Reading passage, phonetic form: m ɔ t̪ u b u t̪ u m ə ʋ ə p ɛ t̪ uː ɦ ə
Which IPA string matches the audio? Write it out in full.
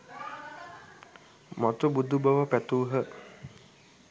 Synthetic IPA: m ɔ t̪ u b u d̪ u b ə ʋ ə p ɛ t̪ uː ɦ ə